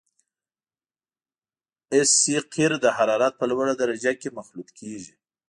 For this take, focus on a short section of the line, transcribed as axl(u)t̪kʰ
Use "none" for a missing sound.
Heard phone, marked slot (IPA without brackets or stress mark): u